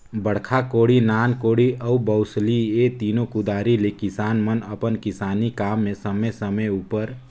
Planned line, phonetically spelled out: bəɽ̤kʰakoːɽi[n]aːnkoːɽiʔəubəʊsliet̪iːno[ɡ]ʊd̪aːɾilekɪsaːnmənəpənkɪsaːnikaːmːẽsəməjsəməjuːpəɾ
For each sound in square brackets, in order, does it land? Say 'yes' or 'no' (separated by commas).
yes, no